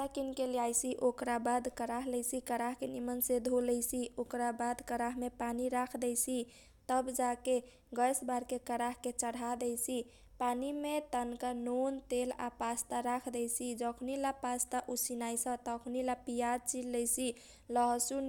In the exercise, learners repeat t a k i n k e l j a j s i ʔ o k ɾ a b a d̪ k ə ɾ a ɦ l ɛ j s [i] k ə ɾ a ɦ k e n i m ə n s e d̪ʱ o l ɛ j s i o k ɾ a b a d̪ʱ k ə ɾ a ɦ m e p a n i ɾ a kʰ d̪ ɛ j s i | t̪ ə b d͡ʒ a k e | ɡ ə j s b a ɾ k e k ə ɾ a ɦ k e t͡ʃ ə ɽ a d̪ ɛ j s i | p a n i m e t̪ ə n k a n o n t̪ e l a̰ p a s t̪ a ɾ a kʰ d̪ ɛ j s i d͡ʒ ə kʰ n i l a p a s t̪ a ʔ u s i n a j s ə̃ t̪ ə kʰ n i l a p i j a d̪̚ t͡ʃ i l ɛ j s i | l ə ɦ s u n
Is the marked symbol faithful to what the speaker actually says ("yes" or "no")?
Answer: yes